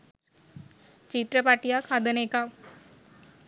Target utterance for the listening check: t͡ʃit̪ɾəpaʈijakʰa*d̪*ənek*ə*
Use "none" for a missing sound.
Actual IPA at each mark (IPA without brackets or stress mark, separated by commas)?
d̪, a